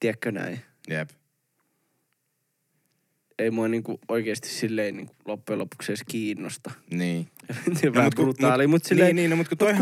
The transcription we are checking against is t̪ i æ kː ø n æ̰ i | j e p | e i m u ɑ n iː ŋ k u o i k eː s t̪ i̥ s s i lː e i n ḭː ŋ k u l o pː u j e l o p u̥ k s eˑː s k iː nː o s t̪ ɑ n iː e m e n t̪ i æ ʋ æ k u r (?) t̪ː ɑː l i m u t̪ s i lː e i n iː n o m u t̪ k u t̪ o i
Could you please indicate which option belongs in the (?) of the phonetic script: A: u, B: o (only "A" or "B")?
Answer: A